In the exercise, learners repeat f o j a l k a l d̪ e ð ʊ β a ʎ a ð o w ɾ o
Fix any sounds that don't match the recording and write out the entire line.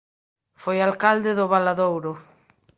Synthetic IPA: f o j a l k a l d̪ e ð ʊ β a l a ð o w ɾ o